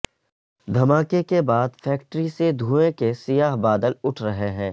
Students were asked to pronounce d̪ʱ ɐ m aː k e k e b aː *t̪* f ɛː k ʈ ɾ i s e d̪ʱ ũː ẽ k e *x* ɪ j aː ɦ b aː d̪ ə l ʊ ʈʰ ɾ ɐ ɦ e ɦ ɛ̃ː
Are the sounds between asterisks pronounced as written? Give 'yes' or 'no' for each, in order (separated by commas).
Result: no, no